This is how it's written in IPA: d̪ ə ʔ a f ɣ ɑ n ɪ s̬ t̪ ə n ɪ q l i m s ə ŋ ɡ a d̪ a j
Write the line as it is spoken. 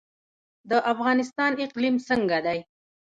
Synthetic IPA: d̪ ə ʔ a f ɣ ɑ n ɪ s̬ t̪ ɑ n ɪ q l i m s ə ŋ ɡ a d̪ a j